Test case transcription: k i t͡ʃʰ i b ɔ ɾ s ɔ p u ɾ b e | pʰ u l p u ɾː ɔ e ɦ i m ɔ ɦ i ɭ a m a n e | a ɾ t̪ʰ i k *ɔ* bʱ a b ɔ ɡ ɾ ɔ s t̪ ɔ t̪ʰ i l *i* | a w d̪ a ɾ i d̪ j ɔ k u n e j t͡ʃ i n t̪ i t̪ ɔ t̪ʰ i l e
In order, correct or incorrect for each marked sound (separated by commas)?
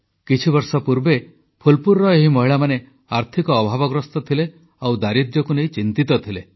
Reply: incorrect, incorrect